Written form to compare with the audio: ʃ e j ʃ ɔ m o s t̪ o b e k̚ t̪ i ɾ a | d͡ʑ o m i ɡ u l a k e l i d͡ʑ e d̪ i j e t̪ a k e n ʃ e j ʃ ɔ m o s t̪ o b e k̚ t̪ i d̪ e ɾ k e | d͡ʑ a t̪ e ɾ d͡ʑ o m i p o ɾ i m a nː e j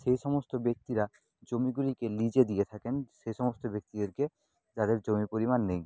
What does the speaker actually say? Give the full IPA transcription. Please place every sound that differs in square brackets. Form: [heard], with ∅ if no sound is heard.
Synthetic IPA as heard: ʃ e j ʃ ɔ m o s t̪ o b e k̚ t̪ i ɾ a | d͡ʑ o m i ɡ u l [i] k e l i d͡ʑ e d̪ i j e [t̪ʰ] a k e n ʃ e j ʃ ɔ m o s t̪ o b e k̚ t̪ i d̪ e ɾ k e | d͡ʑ a [d̪] e ɾ d͡ʑ o m i p o ɾ i m a nː e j

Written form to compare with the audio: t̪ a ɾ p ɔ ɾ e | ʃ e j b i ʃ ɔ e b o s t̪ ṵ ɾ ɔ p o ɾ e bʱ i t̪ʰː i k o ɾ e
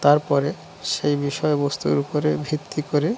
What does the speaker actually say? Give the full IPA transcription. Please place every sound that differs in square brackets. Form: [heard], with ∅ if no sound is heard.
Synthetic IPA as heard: t̪ a ɾ p ɔ ɾ e | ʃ e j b i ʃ ɔ e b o s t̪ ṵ ɾ [u] p o ɾ e bʱ i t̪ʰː i k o ɾ e

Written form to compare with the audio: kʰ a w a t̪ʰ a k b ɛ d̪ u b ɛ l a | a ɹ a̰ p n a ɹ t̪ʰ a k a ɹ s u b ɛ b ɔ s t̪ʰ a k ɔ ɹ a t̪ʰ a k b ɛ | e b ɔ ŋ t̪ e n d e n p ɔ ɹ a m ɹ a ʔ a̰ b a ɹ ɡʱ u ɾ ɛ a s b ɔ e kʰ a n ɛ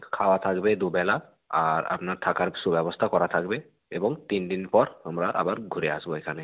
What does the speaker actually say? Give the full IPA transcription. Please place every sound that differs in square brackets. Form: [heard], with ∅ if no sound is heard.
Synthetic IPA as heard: kʰ a w a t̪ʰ a k b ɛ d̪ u b ɛ l a | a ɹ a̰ p n a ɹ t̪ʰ a k a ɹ s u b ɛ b ɔ s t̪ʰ a k ɔ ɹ a t̪ʰ a k b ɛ | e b ɔ ŋ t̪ [i] n d [i] n p ɔ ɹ a m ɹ a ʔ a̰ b a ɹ ɡʱ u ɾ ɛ a s b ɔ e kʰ a n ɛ

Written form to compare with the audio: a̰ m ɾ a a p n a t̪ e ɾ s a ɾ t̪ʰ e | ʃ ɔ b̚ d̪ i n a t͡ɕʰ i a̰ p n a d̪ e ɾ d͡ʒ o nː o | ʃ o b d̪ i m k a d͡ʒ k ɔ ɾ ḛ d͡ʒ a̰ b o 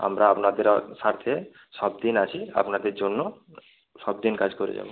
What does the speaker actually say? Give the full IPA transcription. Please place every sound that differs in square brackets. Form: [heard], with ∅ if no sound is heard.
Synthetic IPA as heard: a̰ m ɾ a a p n a [d̪] e ɾ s a ɾ t̪ʰ e | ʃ ɔ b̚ d̪ i n a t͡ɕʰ i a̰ p n a d̪ e ɾ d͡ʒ o nː o | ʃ [ɔ] b d̪ i [n] k a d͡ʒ k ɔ ɾ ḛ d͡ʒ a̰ b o

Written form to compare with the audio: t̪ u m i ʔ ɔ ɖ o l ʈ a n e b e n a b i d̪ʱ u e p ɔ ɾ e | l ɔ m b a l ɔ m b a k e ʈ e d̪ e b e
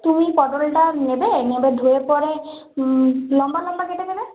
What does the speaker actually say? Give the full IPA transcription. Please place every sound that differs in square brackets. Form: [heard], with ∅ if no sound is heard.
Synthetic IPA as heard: t̪ u m i [p] ɔ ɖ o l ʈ a n e b e n [e] b [e] d̪ʱ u e p ɔ ɾ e | l ɔ m b a l ɔ m b a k e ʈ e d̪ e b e

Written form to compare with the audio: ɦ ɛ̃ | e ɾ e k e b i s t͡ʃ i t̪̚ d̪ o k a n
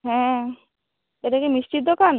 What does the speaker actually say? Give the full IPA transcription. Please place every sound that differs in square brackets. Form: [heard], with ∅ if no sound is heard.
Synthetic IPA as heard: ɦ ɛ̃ | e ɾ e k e [m] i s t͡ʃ i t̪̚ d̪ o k a n

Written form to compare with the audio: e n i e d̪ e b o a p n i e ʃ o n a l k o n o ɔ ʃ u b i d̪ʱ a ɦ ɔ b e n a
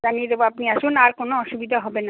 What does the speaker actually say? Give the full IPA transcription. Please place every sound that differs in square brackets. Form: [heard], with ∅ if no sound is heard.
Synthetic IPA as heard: [a] n i e d̪ e b o a p n i [a] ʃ [u] n a [ɾ] k o n o ɔ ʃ u b i d̪ʱ a ɦ ɔ b e n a

